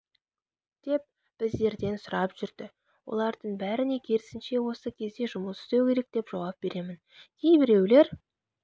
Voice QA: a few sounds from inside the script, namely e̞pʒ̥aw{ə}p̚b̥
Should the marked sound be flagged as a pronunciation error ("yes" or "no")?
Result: yes